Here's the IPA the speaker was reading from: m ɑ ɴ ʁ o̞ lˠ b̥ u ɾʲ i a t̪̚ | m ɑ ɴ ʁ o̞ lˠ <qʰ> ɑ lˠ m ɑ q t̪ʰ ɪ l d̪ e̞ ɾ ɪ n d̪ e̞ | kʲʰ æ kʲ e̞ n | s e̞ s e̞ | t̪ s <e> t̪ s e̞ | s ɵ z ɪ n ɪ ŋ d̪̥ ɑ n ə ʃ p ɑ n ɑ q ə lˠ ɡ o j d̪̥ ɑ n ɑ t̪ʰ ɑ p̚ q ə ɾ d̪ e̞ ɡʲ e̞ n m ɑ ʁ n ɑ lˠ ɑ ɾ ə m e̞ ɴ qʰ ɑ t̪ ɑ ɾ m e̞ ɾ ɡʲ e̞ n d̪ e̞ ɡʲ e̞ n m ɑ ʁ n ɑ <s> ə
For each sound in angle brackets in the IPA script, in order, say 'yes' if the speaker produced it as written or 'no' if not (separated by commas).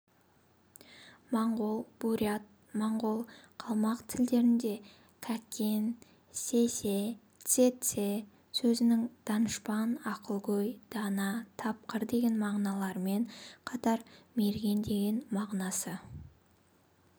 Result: yes, yes, yes